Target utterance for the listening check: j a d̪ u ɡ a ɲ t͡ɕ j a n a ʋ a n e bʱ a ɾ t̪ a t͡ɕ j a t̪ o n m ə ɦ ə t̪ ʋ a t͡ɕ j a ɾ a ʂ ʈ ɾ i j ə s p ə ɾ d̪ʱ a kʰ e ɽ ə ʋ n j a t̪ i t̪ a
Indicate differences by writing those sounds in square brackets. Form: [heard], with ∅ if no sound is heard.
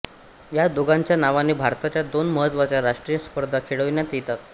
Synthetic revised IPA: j a d̪ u ɡ a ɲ t͡ɕ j a n a ʋ a n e bʱ a ɾ t̪ a t͡ɕ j a [d̪] o n m ə ɦ ə t̪ ʋ a t͡ɕ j a ɾ a ʂ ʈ ɾ i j ə s p ə ɾ d̪ʱ a kʰ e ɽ ə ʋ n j a t̪ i t̪ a

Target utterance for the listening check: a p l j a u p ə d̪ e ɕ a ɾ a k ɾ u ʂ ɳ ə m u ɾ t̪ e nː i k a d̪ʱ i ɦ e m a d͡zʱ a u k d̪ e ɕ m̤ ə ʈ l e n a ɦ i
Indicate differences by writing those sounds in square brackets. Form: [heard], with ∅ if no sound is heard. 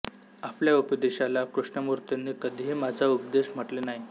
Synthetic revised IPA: a p l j a u p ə d̪ e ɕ a [l] a k ɾ u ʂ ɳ ə m u ɾ t̪ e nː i k [ə] d̪ʱ i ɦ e m a d͡zʱ a u [p] d̪ e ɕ m̤ ə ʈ l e n a ɦ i

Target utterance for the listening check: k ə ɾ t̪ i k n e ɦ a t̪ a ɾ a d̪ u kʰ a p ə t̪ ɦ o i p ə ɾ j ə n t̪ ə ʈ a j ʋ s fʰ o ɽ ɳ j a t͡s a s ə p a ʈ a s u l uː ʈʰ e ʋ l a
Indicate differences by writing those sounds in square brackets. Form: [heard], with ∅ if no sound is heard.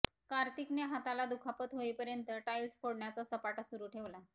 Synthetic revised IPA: k [a] ɾ t̪ i k n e ɦ a t̪ a [l] a d̪ u kʰ a p ə t̪ ɦ o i p ə ɾ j ə n t̪ ə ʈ a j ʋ s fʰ o ɽ ɳ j a t͡s a s ə p a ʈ a s u [ɾ] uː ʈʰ e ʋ l a

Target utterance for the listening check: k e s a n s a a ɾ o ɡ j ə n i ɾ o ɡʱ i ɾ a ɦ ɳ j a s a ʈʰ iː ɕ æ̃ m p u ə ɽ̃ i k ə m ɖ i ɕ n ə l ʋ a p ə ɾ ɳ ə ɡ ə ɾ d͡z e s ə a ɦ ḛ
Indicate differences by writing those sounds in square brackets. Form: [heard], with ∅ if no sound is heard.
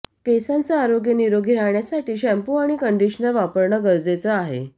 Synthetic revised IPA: k e s a n [t͡s] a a ɾ o ɡ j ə n i ɾ o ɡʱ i ɾ a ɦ ɳ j a s a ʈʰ iː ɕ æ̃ m p u [a] ɽ̃ i k ə [ɳ] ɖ i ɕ n ə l ʋ a p ə ɾ ɳ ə ɡ ə ɾ d͡z e [t͡s] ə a ɦ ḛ

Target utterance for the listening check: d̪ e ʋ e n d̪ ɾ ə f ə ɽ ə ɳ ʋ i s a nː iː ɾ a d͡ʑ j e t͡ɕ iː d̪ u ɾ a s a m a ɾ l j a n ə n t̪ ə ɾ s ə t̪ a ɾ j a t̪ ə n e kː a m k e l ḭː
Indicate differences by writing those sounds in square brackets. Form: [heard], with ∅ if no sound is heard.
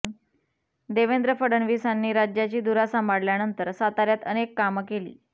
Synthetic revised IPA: d̪ e ʋ e n d̪ ɾ ə f ə ɽ ə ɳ ʋ i s a nː iː ɾ a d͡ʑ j [a] t͡ɕ iː d̪ u ɾ a s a m a [ɽ] l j a n ə n t̪ ə ɾ s [a] t̪ a ɾ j a t̪ ə n e kː a m k e l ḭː

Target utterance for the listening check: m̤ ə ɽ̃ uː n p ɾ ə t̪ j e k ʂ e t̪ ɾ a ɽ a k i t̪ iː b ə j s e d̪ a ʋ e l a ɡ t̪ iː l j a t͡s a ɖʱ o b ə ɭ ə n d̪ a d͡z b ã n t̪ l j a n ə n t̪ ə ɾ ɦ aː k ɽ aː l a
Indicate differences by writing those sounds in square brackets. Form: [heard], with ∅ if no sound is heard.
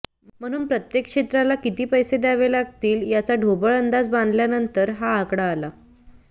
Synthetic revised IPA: m̤ ə ɽ̃ uː n p ɾ ə t̪ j e k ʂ e t̪ ɾ a [l] a k i t̪ iː [p] ə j s e d̪ a ʋ e l a ɡ t̪ iː l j a t͡s a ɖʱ o b ə ɭ ə n d̪ a d͡z b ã n [d̪] l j a n ə n t̪ ə ɾ ɦ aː k ɽ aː l a

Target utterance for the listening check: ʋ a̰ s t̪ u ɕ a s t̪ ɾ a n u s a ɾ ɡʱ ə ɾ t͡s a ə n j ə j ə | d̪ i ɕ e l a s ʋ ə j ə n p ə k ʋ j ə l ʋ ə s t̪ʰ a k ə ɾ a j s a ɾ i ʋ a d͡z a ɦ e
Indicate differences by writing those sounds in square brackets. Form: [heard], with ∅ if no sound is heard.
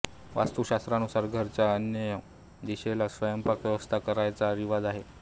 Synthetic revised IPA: ʋ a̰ s t̪ u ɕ a s t̪ ɾ a n u s a ɾ ɡʱ ə ɾ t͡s a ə n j ə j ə | d̪ i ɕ e l a s ʋ ə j ə [m] p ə k ʋ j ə [∅] ʋ ə s t̪ʰ a k ə ɾ a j [t͡s] a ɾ i ʋ a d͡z a ɦ e

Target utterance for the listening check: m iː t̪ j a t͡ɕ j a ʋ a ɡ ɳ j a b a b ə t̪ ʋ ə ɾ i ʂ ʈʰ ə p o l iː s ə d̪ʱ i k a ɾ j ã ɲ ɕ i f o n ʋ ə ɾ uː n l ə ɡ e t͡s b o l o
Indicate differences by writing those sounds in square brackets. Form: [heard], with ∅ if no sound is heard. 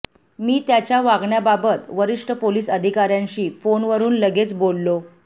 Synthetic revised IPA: m iː t̪ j a t͡ɕ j a ʋ a ɡ ɳ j a b a b ə t̪ ʋ ə ɾ i ʂ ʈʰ ə p o l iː s ə d̪ʱ i k a ɾ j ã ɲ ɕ [iː] f o n ʋ ə ɾ uː n l ə ɡ e t͡s b o [lː] o

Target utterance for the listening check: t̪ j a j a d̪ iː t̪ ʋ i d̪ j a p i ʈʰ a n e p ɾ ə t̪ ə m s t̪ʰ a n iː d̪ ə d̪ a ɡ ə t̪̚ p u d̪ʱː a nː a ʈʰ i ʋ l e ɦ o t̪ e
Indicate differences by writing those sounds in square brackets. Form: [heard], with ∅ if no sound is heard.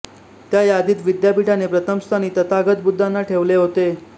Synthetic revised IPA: t̪ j a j a d̪ iː t̪ ʋ i d̪ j a p i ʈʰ a n e p ɾ ə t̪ ə m s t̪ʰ a n iː [t̪] ə [t̪] a ɡ ə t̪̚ [b] u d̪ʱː a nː a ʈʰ [e] ʋ l e ɦ o t̪ e

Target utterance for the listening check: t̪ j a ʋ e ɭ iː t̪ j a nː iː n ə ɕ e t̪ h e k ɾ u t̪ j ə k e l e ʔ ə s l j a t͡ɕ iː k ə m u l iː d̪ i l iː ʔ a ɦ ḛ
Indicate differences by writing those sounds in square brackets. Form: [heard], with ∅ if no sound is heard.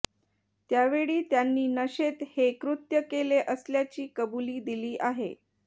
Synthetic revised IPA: t̪ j a ʋ e ɭ iː t̪ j a nː iː n ə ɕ e t̪ h e k ɾ u t̪ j ə k e l e ʔ ə s l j a t͡ɕ iː k ə [b] u l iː d̪ i l iː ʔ a ɦ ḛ

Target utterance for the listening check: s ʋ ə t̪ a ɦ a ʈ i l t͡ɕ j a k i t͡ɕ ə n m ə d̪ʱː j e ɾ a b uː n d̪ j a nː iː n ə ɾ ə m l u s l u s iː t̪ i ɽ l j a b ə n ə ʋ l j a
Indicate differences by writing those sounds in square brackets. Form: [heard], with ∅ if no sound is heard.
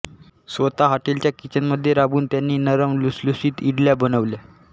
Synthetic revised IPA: s ʋ ə t̪ a ɦ a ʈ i l t͡ɕ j a k i t͡ɕ ə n m ə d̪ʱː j e ɾ a b uː n [t̪] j a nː iː n ə ɾ ə m l u s l u s iː t̪ i ɽ l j a b ə n ə ʋ l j a

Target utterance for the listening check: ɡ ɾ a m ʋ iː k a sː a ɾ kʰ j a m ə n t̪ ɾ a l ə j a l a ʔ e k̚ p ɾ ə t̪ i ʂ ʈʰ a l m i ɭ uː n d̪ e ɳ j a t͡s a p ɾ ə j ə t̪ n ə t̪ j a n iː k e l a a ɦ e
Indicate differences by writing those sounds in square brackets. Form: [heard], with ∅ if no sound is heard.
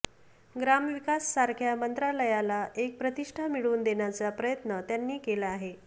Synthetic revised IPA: ɡ ɾ a m ʋ [i] k a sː a ɾ kʰ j a m ə n t̪ ɾ a l ə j a l a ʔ e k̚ p ɾ ə t̪ i ʂ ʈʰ a [∅] m i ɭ uː n d̪ e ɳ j a t͡s a p ɾ ə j ə t̪ n ə t̪ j a [nː] iː k e l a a ɦ e

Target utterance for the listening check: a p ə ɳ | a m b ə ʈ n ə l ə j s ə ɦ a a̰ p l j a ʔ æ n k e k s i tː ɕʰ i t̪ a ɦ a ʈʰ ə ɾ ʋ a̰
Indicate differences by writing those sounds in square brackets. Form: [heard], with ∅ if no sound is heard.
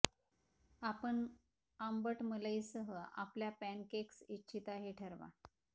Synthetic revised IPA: a p ə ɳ | a m b ə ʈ [m] ə l ə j s ə ɦ [ə] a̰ p l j a [p] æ n k e k s i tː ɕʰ i t̪ a ɦ [e] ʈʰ ə ɾ ʋ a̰

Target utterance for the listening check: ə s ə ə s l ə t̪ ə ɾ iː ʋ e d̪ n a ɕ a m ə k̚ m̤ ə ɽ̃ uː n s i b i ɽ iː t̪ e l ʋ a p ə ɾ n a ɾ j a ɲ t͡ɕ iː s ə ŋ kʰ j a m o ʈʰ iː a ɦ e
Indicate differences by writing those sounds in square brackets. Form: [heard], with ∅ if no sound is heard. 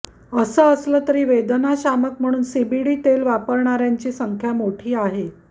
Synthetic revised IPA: ə s ə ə s l ə t̪ ə ɾ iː ʋ e d̪ n a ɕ a m ə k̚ m̤ ə ɽ̃ uː n s i b i ɽ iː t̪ e l ʋ a p ə ɾ [ɳ] a ɾ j a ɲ t͡ɕ iː s ə ŋ kʰ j a m o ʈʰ iː a ɦ e

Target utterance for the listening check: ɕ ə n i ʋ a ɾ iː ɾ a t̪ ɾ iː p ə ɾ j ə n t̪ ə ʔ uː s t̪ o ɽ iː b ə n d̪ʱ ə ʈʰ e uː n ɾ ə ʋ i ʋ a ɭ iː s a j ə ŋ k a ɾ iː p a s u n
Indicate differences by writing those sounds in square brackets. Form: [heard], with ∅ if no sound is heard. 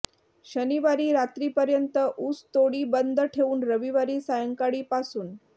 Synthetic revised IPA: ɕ ə n i ʋ a ɾ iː ɾ a t̪ ɾ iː p ə ɾ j ə n t̪ ə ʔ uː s t̪ o ɽ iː b ə n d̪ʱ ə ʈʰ e uː n ɾ ə ʋ i ʋ a [ɾ] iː s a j ə ŋ k a [ɽ] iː p a s [uː] n

